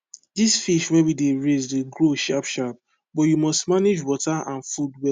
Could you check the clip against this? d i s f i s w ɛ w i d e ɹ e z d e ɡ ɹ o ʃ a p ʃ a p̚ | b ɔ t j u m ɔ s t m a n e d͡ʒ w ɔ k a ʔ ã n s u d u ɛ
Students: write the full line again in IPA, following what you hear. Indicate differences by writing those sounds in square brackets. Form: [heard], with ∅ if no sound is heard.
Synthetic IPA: d i s f i [ʃ] w ɛ w i d e ɹ e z d e ɡ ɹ o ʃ a p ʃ a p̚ | b ɔ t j u m ɔ s t m a n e d͡ʒ w ɔ [t] a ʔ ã n [f] u d [w] ɛ